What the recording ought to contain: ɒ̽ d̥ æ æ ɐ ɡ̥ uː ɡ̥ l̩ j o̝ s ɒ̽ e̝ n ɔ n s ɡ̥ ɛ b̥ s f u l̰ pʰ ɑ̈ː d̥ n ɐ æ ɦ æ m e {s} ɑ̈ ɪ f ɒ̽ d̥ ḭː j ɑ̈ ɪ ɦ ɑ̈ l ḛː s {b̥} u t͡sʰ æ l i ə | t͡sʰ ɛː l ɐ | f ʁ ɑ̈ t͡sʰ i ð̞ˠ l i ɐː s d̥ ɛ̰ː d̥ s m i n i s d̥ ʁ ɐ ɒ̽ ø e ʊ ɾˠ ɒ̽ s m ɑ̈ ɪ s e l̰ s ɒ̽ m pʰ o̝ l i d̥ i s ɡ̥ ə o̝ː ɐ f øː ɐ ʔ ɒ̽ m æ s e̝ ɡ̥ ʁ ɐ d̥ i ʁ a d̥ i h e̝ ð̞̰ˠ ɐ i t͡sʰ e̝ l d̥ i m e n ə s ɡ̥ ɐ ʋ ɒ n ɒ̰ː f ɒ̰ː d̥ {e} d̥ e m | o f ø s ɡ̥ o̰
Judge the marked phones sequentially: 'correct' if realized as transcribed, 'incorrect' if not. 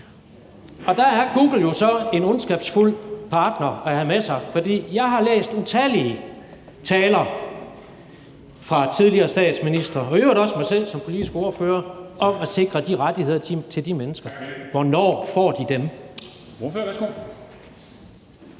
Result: correct, incorrect, incorrect

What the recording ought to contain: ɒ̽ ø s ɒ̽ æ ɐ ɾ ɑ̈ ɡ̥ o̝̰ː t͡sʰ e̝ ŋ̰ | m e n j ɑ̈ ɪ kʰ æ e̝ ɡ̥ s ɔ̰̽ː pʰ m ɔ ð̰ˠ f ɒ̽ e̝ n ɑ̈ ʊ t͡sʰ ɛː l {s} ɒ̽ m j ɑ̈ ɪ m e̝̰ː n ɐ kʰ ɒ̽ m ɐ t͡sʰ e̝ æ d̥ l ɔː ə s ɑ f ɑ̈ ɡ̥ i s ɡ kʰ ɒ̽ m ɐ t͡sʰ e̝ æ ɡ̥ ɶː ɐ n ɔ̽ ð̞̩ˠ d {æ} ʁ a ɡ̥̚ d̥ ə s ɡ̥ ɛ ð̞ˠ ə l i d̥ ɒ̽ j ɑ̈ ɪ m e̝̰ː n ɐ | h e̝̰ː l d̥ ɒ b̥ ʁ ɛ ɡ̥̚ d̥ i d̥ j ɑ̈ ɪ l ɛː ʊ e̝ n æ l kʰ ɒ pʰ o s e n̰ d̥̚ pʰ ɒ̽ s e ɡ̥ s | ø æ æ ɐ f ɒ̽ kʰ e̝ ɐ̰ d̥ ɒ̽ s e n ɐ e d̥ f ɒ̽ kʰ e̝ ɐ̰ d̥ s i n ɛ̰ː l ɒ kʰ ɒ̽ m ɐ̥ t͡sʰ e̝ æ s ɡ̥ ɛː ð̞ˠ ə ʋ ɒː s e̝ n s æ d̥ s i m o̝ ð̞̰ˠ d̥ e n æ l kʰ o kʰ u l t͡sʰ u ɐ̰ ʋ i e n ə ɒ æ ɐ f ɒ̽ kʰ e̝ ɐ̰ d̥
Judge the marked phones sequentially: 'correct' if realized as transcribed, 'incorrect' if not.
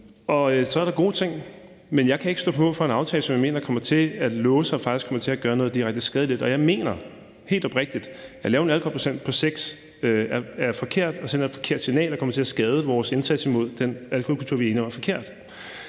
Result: correct, incorrect

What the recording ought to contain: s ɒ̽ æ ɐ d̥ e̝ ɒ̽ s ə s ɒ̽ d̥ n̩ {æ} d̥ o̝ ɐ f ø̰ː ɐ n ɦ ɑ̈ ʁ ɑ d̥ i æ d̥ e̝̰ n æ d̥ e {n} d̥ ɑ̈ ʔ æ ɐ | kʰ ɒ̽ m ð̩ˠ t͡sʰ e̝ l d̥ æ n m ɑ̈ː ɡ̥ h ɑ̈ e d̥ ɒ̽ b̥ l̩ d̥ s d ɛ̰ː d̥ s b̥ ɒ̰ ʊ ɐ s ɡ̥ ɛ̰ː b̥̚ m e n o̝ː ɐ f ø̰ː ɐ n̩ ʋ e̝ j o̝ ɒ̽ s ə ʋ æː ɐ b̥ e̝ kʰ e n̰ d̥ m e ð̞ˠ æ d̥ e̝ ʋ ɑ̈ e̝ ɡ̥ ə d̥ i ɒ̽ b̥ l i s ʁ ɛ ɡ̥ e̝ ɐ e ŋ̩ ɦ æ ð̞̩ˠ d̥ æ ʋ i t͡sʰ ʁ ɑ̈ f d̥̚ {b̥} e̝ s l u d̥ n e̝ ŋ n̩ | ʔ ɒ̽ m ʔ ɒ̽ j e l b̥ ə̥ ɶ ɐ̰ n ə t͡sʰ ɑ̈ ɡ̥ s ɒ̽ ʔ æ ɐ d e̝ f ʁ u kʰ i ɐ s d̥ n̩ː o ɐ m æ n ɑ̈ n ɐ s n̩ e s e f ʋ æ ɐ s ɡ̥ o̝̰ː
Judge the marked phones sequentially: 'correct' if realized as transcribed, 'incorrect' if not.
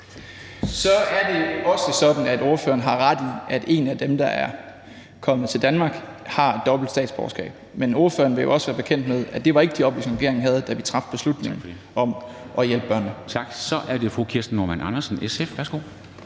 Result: correct, incorrect, correct

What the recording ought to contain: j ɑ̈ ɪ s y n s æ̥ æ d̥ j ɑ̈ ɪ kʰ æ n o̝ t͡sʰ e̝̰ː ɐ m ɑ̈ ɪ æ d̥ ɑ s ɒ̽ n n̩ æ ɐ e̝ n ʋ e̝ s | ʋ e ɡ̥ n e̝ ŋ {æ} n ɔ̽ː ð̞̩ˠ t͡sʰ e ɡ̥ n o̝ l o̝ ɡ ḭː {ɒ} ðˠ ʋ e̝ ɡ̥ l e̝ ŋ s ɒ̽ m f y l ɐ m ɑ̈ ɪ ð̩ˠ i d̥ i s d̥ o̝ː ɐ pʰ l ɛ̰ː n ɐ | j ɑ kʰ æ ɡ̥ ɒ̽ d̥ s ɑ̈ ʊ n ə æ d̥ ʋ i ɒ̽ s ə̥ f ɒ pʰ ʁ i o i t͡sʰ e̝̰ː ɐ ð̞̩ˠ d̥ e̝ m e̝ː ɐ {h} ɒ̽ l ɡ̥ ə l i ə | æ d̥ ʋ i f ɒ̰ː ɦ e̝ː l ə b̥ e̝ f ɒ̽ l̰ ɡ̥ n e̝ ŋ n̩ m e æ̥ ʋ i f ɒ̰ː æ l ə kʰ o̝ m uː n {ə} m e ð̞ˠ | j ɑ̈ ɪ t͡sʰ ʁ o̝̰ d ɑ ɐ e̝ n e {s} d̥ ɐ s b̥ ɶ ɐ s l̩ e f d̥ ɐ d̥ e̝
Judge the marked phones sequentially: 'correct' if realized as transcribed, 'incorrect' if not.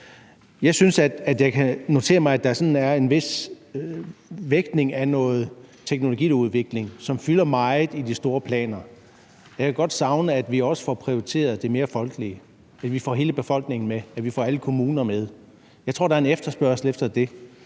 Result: correct, incorrect, incorrect, incorrect, incorrect

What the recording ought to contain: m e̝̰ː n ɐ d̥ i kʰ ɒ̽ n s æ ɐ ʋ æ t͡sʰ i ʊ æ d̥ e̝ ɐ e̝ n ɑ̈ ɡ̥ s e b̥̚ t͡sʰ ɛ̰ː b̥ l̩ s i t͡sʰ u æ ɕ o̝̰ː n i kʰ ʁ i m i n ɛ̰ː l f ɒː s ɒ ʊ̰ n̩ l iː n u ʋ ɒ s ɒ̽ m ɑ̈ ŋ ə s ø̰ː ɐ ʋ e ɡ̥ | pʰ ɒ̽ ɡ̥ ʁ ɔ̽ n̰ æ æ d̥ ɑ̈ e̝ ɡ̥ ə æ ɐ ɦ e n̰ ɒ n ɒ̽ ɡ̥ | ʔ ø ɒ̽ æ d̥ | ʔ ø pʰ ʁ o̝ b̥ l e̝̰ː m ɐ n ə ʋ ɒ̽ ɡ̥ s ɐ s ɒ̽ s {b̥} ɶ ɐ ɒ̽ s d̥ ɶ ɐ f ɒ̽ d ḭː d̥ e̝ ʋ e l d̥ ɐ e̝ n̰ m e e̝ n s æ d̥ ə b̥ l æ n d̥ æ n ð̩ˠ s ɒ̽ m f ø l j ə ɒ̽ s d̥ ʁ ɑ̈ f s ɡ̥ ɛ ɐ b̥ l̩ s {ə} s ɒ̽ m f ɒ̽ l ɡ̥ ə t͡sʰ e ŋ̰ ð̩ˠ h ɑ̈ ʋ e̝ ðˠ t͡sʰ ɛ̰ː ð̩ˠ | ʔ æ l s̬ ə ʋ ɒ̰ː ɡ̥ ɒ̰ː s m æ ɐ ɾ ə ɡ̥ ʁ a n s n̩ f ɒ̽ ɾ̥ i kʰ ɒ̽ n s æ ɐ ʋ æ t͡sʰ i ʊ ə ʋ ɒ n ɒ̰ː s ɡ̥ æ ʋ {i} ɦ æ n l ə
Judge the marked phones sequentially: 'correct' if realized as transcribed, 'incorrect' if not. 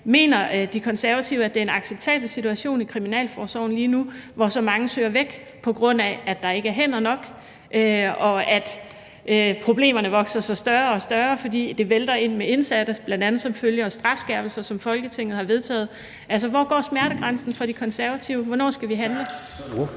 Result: incorrect, incorrect, correct

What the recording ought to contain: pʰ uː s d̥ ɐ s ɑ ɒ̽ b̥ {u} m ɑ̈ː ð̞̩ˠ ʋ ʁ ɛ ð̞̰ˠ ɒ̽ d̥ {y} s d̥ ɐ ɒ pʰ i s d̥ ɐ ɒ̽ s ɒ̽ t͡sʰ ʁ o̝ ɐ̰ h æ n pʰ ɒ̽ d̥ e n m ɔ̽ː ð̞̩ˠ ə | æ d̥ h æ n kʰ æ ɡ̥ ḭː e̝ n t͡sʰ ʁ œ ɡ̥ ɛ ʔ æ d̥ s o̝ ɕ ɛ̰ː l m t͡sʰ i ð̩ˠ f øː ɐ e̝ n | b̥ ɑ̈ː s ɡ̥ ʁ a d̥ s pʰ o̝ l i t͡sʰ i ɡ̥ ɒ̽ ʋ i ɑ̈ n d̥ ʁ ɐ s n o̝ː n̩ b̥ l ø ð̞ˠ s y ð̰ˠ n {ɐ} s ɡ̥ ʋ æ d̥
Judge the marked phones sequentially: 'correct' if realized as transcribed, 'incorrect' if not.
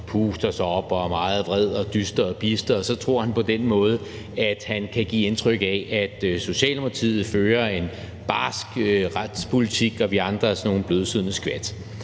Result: incorrect, correct, incorrect

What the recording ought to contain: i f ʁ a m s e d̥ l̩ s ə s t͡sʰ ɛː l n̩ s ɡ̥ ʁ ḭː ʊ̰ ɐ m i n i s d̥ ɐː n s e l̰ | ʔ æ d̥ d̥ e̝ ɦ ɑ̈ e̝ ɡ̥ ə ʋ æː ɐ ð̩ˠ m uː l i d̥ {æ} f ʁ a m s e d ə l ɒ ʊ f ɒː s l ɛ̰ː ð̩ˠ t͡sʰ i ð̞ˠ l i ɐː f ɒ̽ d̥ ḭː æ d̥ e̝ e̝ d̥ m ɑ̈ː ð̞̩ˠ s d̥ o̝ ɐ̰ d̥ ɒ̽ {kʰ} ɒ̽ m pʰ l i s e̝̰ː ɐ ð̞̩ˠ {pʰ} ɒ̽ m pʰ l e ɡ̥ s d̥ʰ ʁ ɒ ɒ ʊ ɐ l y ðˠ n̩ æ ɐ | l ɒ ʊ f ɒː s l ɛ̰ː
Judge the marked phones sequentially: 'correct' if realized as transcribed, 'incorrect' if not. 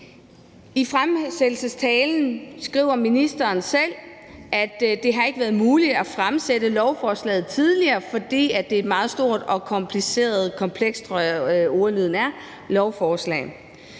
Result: correct, correct, incorrect

